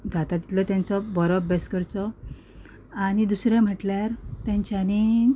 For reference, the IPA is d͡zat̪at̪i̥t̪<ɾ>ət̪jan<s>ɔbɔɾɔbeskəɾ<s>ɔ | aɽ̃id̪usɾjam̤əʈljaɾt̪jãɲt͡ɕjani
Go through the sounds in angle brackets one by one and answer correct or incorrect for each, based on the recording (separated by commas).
incorrect, incorrect, incorrect